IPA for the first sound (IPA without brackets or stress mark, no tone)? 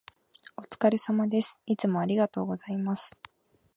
o̞